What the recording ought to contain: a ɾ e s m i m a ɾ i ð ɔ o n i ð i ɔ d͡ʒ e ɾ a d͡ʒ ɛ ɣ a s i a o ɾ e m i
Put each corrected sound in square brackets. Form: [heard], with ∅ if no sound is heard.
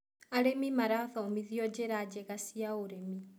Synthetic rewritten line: a ɾ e [∅] m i m a ɾ [a] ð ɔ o [m] i ð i ɔ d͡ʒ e ɾ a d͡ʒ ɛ ɣ a s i a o ɾ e m i